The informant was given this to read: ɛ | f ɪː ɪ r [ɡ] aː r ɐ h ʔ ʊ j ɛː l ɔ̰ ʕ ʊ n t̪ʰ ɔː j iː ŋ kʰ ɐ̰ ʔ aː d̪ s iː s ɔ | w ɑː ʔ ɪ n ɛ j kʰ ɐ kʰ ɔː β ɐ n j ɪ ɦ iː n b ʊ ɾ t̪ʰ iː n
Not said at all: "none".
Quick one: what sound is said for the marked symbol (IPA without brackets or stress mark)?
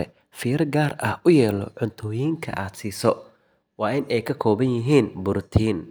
ɡ